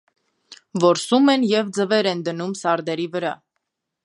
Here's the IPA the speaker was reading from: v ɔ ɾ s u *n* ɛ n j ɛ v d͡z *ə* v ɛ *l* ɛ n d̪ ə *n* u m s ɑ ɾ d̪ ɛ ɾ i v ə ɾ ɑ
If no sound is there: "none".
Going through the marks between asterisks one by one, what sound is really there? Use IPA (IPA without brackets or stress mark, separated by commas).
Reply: m, ə, ɾ, n